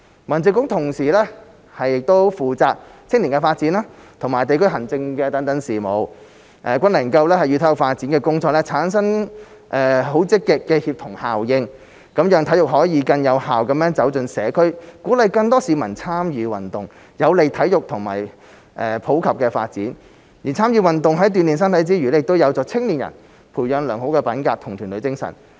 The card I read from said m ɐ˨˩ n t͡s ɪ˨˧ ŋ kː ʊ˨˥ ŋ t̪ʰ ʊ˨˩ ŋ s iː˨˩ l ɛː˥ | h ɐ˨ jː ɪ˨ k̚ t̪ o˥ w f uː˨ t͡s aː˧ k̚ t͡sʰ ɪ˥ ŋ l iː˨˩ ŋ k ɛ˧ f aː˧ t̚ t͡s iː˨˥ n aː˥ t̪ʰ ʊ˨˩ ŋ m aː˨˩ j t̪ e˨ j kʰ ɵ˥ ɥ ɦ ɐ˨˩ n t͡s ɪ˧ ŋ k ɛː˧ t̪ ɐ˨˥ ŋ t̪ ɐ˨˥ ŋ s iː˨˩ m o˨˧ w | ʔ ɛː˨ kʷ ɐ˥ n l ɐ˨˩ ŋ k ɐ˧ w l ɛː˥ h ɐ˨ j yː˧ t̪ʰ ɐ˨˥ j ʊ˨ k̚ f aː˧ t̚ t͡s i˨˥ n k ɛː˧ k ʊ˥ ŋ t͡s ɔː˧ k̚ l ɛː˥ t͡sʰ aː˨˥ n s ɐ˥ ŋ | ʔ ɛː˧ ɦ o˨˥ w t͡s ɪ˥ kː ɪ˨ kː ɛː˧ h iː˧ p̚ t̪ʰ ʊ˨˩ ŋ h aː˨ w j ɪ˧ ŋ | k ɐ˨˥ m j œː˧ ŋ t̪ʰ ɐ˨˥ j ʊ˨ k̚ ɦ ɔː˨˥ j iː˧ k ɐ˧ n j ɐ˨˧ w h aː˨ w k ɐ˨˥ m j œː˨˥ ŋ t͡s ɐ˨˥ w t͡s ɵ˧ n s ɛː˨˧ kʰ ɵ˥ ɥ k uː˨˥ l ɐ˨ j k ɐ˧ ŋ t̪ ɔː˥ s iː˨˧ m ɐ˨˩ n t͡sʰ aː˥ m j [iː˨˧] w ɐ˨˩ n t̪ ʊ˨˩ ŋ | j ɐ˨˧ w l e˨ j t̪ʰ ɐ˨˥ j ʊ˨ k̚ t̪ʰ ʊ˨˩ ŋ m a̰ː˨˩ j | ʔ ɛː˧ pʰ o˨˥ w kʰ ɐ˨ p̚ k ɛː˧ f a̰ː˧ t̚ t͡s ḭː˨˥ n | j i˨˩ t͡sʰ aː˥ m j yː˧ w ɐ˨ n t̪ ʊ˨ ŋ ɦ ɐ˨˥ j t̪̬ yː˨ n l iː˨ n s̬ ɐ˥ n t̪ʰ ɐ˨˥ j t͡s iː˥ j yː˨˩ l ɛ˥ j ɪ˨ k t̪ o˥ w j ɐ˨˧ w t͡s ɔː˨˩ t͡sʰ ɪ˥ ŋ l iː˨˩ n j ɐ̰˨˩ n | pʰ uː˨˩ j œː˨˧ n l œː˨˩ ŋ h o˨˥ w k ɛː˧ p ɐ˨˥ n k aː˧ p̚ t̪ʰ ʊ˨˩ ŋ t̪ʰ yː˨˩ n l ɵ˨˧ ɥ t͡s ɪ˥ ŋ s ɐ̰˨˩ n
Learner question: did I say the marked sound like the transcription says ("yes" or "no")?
no